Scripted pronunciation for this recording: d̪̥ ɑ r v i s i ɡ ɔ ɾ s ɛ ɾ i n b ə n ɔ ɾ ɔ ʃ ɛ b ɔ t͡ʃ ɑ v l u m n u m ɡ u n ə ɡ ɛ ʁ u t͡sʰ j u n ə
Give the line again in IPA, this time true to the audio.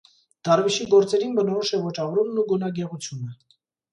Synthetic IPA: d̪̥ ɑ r v i ʃ i ɡ ɔ ɾ t͡s ɛ ɾ i n b ə n ɔ ɾ ɔ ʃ ɛ v ɔ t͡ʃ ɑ v ɾ u m n u ɡ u n ɑ ɡ ɛ ʁ u t͡sʰ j u n ə